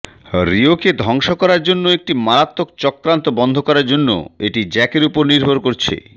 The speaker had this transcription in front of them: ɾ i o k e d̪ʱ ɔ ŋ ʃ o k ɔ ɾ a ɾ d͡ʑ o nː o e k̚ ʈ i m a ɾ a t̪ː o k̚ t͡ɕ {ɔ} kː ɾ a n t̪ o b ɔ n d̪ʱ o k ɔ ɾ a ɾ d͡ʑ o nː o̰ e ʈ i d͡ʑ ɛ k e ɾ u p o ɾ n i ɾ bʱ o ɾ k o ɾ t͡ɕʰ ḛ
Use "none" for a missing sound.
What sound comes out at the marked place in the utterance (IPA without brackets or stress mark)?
ɔ